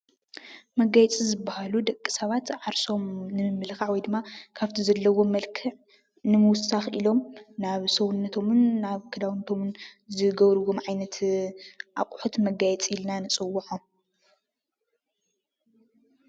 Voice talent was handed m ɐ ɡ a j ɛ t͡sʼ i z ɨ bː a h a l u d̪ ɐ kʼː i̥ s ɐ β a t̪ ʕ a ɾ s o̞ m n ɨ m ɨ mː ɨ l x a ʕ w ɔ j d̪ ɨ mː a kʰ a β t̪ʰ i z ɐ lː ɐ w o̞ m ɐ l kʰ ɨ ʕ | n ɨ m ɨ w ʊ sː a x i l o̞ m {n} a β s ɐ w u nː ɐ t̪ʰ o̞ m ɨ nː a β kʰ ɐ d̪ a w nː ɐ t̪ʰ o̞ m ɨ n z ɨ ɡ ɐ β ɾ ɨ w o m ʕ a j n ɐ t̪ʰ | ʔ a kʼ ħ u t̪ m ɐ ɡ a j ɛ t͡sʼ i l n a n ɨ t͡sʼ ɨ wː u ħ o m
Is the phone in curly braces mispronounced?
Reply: no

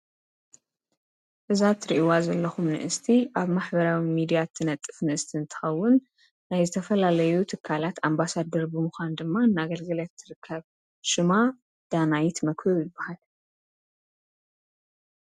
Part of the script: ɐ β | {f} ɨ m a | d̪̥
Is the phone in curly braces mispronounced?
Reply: yes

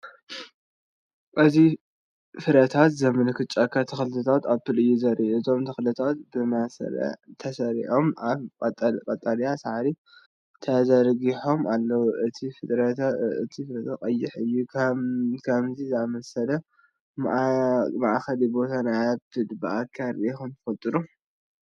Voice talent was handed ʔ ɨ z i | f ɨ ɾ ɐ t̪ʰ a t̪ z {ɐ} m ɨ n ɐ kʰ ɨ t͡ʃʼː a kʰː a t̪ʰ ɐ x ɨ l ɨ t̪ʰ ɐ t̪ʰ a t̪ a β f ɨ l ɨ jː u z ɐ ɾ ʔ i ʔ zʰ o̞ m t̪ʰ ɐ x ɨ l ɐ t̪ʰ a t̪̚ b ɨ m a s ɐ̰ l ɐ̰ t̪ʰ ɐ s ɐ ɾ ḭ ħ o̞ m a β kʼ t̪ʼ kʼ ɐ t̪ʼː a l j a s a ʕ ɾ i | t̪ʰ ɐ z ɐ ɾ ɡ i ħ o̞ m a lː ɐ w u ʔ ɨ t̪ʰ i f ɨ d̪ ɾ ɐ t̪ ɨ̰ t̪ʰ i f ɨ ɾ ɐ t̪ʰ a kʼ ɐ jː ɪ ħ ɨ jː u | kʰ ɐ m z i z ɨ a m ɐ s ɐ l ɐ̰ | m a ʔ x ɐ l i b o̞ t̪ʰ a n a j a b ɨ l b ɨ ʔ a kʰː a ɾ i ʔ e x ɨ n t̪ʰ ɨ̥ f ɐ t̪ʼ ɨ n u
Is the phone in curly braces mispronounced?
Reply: no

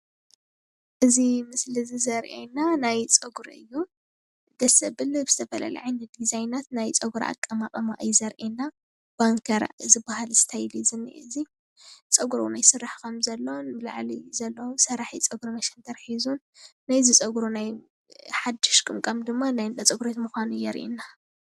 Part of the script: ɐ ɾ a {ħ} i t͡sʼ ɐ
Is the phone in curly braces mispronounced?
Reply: no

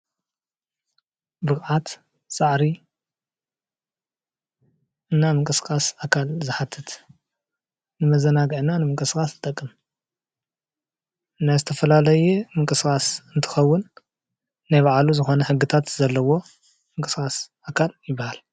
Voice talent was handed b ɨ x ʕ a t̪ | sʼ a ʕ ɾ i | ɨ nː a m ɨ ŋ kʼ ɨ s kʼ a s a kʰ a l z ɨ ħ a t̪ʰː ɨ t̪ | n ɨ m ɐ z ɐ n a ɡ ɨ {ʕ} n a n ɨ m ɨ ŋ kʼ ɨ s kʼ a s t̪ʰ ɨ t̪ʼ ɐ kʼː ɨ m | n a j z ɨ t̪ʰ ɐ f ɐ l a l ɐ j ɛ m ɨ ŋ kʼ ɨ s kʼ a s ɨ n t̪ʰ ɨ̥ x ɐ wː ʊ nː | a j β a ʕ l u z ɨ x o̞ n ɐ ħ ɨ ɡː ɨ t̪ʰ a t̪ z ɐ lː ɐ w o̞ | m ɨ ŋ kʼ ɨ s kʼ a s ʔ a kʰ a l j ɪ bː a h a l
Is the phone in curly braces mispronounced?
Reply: no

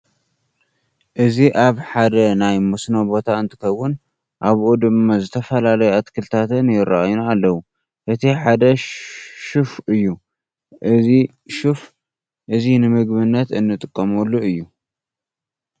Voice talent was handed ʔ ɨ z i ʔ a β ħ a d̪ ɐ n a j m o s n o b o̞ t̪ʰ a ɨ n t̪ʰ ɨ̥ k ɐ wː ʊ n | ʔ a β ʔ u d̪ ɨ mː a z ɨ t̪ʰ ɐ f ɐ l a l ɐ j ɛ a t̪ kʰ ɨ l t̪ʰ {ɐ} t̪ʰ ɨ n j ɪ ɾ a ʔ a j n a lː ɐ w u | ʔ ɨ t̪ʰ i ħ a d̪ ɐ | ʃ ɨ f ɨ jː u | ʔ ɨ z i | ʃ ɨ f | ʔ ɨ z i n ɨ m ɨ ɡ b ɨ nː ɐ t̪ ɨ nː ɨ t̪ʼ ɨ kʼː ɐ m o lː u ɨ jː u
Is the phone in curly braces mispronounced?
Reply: yes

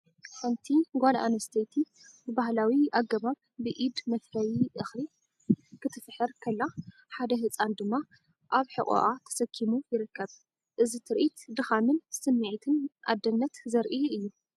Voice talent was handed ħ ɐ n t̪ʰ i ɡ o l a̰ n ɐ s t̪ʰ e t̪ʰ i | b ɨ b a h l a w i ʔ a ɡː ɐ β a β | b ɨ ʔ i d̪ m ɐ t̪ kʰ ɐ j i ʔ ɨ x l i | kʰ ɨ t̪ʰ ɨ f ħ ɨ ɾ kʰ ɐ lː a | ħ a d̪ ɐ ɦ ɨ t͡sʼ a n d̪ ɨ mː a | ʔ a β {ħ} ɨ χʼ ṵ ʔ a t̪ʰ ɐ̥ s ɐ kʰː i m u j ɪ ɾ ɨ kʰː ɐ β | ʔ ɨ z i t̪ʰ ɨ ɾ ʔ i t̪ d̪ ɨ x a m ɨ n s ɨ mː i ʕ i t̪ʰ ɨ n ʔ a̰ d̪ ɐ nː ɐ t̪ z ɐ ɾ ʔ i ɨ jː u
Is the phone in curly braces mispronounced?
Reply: no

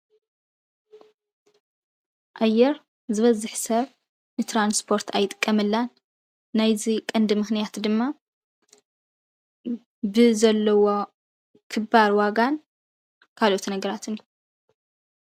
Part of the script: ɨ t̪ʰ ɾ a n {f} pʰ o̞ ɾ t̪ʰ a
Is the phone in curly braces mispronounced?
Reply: yes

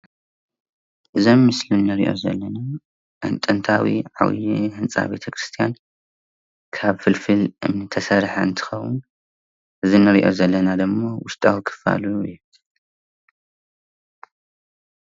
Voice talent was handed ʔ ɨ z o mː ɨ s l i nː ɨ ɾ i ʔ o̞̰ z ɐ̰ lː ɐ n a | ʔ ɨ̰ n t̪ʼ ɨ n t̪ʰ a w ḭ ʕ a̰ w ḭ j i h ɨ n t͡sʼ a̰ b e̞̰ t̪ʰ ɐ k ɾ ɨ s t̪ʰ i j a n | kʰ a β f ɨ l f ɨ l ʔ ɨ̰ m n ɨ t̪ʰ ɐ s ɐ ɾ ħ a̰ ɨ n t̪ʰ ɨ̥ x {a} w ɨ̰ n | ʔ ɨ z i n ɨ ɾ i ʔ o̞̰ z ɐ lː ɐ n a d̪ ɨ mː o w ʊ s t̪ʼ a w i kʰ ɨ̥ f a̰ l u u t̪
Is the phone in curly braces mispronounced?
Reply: yes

